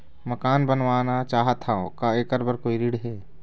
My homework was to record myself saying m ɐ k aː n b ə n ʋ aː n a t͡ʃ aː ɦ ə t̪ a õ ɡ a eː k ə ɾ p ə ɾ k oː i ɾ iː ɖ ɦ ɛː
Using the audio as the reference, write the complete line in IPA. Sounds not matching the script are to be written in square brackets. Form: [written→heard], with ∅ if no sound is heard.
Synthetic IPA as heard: m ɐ k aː n b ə n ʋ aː n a t͡ʃ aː ɦ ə t̪ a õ [ɡ→k] a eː k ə ɾ [p→b] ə ɾ k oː i ɾ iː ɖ ɦ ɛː